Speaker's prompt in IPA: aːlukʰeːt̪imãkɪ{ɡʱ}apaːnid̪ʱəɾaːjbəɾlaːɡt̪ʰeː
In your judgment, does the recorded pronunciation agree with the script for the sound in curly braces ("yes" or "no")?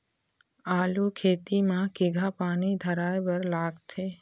yes